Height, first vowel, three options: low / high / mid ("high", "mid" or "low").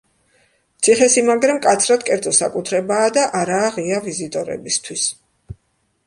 high